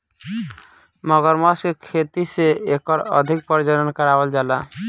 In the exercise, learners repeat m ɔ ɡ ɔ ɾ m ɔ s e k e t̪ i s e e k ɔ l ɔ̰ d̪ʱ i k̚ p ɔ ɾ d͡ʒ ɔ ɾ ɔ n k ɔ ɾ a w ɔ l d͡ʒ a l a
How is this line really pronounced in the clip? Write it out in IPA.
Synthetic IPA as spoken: m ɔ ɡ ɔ ɾ m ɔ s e kʰ e t̪ i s e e k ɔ ɾ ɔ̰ d̪ʱ i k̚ p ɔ ɾ d͡ʒ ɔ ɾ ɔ n k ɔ ɾ a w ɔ l d͡ʒ a l a